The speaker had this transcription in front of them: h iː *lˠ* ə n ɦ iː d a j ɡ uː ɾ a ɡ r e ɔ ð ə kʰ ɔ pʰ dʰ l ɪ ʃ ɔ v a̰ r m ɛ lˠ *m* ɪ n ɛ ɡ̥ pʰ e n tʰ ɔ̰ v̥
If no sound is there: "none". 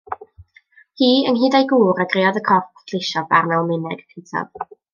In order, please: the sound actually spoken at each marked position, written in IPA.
none, m

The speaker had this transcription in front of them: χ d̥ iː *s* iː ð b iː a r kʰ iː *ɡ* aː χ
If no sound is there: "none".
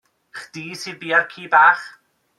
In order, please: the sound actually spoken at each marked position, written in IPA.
s, b

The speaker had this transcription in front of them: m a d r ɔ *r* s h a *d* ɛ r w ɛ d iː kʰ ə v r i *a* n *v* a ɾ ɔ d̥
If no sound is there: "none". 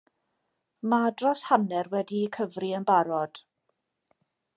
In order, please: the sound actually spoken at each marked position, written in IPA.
none, n, ə, b

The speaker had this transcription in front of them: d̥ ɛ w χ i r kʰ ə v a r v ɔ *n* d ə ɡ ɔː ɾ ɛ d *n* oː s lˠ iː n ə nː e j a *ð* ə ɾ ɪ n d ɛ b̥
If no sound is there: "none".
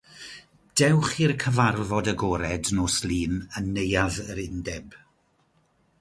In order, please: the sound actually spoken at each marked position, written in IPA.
none, n, ð

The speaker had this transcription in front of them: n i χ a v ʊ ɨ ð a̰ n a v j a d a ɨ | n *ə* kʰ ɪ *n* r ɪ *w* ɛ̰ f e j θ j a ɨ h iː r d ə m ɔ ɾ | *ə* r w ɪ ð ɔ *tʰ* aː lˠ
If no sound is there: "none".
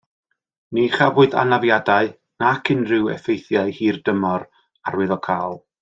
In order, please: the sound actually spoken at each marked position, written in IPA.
a, n, w, a, kʰ

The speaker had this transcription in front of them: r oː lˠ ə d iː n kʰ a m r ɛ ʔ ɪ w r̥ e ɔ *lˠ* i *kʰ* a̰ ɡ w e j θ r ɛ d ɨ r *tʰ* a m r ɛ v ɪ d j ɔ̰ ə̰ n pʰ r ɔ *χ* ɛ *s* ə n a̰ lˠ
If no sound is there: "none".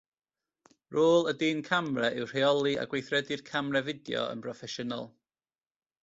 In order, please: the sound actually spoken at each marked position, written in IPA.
lˠ, none, kʰ, f, ʃ

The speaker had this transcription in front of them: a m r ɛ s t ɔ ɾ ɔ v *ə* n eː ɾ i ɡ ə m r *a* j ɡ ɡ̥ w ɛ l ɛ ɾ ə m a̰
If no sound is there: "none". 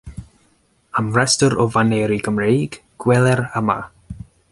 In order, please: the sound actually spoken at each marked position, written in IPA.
a, e

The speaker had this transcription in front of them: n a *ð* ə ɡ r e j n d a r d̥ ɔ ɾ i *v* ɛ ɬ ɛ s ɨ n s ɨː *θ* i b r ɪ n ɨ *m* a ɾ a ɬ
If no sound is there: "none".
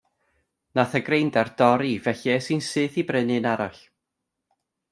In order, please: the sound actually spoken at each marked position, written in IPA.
θ, v, θ, n

